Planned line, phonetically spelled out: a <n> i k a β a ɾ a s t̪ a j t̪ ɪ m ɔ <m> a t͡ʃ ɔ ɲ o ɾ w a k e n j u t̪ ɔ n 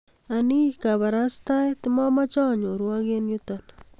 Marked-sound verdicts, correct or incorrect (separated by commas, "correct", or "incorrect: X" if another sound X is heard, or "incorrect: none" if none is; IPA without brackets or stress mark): correct, correct